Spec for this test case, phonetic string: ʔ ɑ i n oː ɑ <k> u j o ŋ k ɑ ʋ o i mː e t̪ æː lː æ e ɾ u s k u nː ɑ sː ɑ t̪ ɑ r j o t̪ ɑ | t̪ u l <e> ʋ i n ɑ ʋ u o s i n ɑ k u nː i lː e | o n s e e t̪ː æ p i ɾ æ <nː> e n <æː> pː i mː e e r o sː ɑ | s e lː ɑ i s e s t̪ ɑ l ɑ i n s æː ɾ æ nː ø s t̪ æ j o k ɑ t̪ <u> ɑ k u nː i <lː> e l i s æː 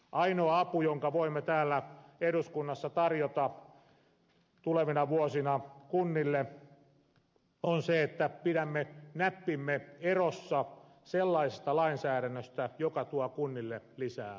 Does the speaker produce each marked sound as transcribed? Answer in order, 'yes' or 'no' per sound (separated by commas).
no, yes, no, no, yes, yes